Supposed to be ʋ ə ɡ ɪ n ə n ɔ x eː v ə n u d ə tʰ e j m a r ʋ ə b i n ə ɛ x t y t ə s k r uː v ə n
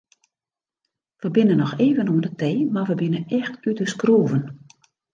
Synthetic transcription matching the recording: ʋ ə b ɪ n ə n ɔ x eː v ə n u d ə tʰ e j m a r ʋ ə b ɪ n ə ɛ x t y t ə s k r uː v ə n